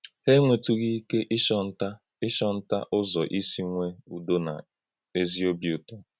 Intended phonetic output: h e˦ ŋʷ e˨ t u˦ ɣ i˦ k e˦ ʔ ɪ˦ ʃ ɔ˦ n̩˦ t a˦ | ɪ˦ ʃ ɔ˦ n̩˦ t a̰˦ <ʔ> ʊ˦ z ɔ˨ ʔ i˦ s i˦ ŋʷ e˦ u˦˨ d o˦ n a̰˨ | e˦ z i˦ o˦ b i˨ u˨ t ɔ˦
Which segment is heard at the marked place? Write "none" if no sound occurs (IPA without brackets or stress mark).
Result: ʔ